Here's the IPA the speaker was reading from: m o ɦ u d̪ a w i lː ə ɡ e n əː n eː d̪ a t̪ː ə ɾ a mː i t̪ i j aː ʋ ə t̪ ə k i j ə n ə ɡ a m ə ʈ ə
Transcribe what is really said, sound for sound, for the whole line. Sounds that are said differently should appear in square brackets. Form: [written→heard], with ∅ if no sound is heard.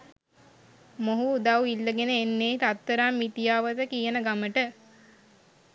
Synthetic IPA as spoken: m o ɦ u d̪ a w i lː ə ɡ e n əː [n→nː] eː [d̪→t̪] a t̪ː ə ɾ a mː i t̪ i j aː ʋ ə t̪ ə k i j ə n ə ɡ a m ə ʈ ə